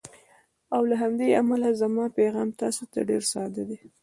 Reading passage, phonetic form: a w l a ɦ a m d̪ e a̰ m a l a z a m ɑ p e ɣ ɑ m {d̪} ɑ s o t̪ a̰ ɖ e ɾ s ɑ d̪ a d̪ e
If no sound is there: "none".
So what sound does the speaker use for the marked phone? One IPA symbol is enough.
t̪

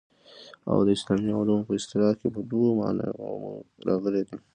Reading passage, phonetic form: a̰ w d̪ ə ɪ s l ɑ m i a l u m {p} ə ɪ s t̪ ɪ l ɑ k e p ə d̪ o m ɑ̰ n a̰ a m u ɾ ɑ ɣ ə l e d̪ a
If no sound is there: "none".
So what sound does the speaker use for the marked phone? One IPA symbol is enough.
p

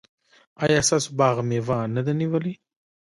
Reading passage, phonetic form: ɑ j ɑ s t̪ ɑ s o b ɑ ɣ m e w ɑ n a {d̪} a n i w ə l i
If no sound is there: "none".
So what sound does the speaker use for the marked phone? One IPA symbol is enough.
d̪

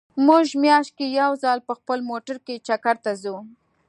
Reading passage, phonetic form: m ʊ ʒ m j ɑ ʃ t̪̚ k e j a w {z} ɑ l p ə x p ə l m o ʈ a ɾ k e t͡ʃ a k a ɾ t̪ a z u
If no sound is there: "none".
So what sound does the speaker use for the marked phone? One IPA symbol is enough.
z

